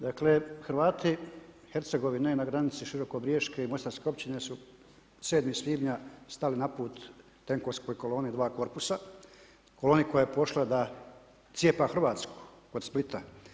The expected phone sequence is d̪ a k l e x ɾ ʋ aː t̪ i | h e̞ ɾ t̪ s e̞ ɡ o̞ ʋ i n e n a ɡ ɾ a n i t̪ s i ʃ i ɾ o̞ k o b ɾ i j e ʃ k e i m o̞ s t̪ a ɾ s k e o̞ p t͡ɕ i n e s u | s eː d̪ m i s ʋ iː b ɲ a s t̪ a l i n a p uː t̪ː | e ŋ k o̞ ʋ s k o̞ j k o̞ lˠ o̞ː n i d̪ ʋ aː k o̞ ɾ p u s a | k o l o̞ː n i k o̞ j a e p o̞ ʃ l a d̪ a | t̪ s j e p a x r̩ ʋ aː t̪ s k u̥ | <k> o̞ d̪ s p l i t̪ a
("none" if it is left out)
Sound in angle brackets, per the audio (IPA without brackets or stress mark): k